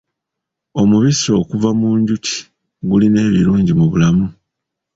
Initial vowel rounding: rounded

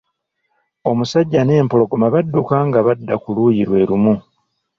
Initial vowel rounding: rounded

